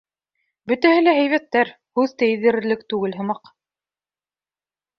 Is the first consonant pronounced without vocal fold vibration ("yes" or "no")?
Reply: no